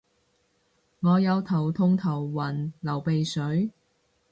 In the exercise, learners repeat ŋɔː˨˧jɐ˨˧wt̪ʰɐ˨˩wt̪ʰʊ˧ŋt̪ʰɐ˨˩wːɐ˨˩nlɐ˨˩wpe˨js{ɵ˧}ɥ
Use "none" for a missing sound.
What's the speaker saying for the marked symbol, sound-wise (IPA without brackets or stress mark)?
ɵ˨˥